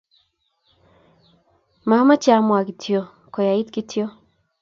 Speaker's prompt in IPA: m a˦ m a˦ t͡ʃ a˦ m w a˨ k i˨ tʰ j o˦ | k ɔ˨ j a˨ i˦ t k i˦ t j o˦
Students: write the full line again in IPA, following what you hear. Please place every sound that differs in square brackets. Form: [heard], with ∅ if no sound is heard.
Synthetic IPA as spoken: m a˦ m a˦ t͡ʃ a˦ m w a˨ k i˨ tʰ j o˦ | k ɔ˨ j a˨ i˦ t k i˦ t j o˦

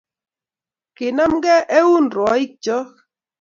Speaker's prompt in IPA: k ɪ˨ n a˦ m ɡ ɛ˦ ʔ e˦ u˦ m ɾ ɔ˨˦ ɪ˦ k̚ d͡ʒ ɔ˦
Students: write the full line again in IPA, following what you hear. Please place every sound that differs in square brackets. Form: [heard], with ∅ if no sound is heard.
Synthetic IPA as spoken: k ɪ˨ n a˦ m ɡ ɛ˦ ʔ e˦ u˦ [n] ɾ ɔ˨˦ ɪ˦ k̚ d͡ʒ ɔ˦

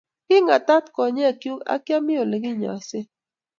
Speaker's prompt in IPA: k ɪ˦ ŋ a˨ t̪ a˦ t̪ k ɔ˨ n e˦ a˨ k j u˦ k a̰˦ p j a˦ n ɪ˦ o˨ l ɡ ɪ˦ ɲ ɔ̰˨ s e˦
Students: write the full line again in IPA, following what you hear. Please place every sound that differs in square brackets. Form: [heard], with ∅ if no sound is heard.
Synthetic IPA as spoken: k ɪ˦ ŋ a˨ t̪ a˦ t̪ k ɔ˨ [ɲ] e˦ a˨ k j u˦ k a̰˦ [k] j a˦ [m] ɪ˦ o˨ l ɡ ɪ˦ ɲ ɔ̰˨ s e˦

